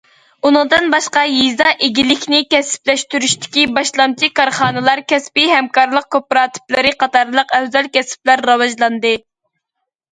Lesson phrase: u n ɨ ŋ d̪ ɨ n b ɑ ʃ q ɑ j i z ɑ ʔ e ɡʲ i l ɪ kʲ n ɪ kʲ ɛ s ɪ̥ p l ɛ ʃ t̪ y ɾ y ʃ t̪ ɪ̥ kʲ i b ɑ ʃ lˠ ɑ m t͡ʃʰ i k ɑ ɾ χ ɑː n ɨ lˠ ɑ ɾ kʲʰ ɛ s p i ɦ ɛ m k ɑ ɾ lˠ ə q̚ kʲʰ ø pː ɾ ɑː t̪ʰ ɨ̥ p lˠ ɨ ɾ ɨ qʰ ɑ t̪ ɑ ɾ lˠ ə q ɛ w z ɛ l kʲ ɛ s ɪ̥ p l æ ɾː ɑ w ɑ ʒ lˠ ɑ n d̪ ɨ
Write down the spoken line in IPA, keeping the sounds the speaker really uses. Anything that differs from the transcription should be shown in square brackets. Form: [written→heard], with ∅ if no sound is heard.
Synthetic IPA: u n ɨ ŋ d̪ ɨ n b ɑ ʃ q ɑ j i z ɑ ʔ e ɡʲ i l ɪ kʲ n ɪ kʲ ɛ s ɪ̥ p l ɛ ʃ t̪ y ɾ y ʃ t̪ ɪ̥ kʲ i b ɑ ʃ lˠ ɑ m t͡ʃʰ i k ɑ ɾ χ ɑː n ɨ lˠ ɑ ɾ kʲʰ ɛ s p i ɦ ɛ m k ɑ ɾ lˠ ə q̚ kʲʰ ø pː ɾ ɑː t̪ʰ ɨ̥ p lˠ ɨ ɾ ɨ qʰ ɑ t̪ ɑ ɾ lˠ ə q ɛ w z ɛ l kʲ ɛ s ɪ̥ p l æ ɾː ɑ w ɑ ʒ lˠ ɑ n d̪ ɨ